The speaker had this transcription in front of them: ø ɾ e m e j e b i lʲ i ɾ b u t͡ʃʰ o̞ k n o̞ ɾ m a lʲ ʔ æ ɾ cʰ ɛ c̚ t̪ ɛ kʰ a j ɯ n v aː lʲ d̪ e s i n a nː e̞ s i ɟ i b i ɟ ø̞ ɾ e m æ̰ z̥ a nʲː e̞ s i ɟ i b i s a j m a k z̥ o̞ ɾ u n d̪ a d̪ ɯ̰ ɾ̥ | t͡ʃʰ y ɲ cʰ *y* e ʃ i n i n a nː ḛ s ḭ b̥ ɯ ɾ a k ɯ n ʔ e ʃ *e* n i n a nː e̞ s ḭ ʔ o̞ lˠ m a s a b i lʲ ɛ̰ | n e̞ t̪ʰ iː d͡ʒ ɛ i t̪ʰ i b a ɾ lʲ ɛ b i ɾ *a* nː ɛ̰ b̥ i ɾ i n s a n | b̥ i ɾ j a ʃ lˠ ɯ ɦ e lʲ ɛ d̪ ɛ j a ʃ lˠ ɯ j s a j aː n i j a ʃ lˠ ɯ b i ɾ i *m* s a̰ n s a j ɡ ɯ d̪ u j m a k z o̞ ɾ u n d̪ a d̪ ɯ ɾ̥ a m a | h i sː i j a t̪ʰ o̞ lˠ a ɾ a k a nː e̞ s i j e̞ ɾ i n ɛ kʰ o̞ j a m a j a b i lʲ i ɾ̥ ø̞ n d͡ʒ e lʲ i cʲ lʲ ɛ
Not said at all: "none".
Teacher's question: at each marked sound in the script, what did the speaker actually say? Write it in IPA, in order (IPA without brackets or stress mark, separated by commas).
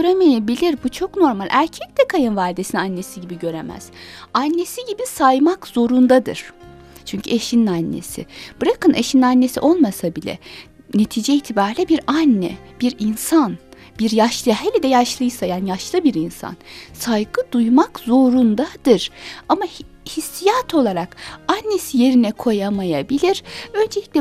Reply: y, i, a, n